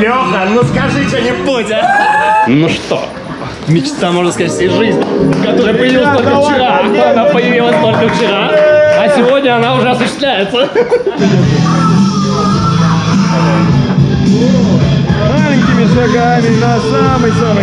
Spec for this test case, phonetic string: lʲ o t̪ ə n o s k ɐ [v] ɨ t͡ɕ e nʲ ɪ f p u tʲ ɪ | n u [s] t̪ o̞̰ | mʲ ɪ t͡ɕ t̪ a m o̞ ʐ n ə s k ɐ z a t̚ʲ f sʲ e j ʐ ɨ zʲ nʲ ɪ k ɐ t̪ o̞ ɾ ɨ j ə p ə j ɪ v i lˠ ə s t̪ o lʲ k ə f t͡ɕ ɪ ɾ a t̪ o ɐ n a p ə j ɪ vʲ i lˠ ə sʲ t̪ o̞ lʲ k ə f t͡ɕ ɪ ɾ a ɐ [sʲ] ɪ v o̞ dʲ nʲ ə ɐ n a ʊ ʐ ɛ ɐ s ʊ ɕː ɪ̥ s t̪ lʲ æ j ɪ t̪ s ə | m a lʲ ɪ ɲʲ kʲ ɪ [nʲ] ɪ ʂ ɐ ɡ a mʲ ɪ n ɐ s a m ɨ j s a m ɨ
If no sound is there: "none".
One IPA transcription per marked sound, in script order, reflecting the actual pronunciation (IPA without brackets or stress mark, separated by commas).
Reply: ʐ, ʂ, sʲ, mʲ